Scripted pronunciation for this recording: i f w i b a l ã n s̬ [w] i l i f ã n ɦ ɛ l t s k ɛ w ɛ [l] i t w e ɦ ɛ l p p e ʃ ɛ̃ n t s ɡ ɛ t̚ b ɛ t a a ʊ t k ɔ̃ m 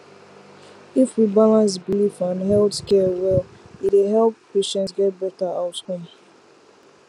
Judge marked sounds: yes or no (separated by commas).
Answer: no, yes